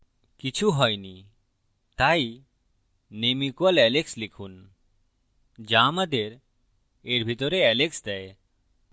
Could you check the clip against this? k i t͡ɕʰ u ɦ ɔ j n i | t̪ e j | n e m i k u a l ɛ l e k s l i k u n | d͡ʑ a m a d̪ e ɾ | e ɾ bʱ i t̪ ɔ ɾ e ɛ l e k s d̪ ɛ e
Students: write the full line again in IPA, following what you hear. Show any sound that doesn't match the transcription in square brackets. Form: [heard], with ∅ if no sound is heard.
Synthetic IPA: k i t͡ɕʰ u ɦ ɔ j n i | t̪ [a] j | n e m i k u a l ɛ l e k s l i [kʰ] u n | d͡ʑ a m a d̪ e ɾ | e ɾ bʱ i t̪ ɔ ɾ e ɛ l e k s d̪ ɛ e